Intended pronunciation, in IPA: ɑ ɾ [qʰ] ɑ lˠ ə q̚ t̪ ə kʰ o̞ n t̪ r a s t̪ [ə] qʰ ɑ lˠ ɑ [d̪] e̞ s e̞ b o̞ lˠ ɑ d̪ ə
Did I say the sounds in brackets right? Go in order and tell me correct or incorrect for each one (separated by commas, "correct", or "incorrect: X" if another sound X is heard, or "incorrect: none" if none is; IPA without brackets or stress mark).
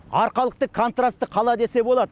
incorrect: q, correct, correct